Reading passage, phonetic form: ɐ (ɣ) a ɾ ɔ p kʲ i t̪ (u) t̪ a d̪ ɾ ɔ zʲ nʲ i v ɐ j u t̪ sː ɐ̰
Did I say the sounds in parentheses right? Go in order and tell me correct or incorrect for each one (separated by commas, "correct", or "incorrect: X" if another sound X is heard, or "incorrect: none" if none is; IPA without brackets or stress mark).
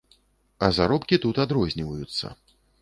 incorrect: z, correct